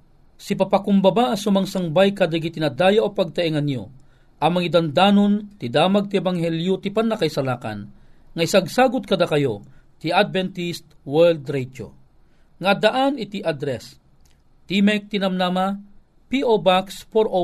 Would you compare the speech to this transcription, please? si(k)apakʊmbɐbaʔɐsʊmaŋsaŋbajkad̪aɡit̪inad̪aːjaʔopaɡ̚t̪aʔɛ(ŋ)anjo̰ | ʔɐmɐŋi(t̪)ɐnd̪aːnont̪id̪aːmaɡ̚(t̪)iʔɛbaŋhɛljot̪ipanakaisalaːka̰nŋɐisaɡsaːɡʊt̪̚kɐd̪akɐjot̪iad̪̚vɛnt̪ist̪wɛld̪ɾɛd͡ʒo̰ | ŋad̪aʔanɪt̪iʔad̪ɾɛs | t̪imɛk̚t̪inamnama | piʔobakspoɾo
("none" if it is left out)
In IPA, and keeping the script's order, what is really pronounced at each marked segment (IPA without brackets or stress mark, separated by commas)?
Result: p, ŋ, d̪, t̪